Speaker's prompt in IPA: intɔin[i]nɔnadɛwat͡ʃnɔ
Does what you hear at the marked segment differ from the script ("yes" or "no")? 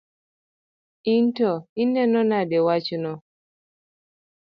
yes